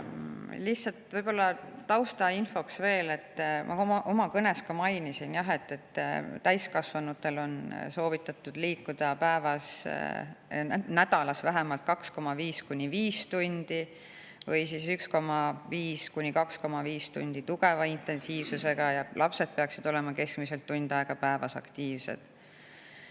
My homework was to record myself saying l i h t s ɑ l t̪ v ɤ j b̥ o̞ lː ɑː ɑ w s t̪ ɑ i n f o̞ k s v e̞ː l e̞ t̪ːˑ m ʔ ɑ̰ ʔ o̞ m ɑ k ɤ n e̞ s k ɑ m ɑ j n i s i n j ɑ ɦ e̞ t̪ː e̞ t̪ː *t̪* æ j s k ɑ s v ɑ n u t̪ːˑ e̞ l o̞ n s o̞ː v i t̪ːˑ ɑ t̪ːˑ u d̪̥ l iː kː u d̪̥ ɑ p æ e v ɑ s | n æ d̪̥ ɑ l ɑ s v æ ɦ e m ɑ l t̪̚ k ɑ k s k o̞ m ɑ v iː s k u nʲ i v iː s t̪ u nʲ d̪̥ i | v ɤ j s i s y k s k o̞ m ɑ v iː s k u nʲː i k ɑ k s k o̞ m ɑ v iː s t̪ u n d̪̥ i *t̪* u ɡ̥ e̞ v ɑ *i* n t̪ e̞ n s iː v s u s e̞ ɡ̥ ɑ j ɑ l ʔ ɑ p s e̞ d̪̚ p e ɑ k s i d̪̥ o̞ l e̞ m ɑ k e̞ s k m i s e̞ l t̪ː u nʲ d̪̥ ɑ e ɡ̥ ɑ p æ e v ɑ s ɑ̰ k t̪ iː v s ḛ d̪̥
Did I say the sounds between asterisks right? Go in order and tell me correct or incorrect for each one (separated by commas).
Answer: correct, correct, correct